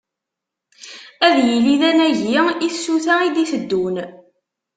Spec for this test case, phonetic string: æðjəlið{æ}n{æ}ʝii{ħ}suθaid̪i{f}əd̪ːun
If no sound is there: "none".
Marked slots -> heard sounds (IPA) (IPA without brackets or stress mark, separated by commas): æ, æ, θ, θ